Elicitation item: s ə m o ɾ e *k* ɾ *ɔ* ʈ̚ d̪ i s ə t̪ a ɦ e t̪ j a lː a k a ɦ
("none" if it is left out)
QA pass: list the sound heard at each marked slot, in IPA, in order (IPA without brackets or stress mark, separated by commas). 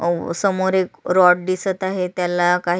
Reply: k, ɔ